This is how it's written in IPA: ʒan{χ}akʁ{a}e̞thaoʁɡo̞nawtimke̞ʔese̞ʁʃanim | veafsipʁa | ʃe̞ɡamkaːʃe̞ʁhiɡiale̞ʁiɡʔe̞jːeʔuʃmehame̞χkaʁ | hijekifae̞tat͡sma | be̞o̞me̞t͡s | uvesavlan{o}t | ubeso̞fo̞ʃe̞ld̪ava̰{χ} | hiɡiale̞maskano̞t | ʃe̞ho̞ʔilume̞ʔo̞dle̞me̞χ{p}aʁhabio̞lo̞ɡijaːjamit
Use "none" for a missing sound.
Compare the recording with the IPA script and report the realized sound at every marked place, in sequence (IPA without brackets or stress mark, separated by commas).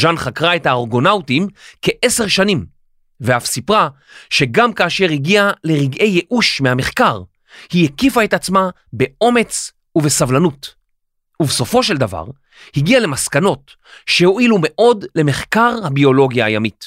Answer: χ, a, u, ʁ, k